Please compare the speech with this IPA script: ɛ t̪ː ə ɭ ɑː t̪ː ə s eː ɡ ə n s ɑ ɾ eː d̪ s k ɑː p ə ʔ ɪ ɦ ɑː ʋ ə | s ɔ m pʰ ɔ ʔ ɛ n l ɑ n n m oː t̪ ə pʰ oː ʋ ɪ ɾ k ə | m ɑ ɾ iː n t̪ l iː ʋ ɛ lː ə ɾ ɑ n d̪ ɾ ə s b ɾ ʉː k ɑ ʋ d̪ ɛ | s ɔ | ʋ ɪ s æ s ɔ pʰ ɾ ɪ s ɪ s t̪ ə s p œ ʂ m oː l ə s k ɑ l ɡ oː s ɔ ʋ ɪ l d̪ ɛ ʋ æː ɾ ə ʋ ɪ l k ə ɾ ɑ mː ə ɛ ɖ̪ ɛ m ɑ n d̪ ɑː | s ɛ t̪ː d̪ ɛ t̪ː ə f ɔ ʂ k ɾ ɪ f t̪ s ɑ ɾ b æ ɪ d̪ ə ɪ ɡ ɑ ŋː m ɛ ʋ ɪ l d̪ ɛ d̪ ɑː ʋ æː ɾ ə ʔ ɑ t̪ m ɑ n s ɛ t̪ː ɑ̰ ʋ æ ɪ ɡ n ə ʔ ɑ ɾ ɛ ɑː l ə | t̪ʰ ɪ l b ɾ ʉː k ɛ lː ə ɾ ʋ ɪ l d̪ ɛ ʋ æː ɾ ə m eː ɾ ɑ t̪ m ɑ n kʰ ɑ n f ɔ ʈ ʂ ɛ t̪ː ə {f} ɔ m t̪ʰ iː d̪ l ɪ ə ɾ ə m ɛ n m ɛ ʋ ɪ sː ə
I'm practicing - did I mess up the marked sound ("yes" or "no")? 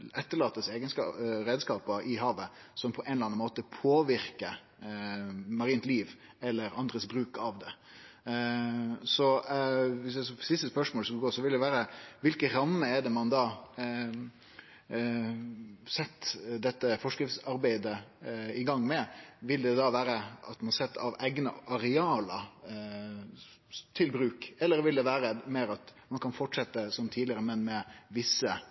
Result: yes